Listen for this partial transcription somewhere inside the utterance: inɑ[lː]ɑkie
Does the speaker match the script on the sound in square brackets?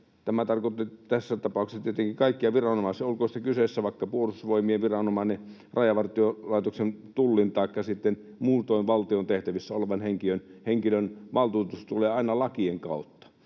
no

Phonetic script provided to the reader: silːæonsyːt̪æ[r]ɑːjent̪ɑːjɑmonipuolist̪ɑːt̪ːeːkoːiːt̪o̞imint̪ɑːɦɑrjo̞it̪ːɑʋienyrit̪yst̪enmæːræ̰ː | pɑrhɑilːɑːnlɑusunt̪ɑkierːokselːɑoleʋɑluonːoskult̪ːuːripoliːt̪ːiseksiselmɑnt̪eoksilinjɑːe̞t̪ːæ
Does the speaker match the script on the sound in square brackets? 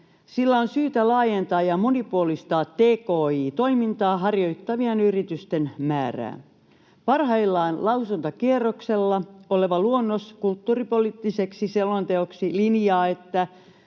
no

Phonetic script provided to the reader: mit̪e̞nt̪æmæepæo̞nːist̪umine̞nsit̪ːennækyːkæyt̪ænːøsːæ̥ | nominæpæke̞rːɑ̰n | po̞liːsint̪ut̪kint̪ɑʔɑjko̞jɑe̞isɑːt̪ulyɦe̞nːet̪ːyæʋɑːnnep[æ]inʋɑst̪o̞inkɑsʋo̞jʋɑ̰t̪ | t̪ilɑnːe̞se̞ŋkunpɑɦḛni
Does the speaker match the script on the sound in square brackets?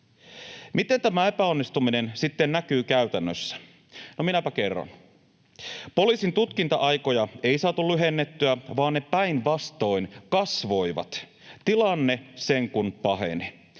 yes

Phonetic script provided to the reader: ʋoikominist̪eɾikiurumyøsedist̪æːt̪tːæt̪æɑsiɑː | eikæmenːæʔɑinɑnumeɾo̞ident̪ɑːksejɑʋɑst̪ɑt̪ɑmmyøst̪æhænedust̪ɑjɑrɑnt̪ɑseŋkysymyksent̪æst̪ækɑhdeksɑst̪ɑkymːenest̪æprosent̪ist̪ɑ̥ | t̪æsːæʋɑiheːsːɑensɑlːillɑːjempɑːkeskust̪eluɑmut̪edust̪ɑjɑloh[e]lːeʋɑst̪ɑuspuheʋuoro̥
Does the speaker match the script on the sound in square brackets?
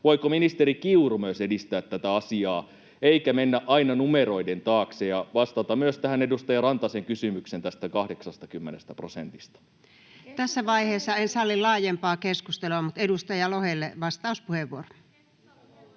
yes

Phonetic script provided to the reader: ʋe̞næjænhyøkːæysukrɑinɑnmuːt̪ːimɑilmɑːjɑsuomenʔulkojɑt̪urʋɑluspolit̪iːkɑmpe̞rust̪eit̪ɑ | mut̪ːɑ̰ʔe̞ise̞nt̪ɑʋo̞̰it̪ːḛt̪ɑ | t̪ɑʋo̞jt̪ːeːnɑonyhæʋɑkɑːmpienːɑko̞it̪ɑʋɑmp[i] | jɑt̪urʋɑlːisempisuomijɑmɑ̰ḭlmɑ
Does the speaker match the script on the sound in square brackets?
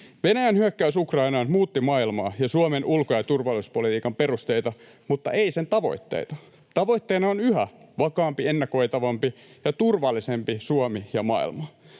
yes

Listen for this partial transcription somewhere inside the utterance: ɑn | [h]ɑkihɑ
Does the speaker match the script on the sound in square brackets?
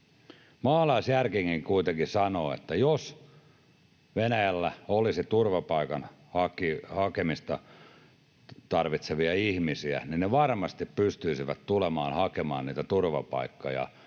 yes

